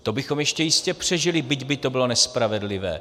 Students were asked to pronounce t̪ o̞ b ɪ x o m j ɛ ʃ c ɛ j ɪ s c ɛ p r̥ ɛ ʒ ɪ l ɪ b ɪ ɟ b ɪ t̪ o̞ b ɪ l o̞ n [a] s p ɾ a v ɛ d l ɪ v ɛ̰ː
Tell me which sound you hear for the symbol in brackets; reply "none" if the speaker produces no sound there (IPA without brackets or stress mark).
ɛ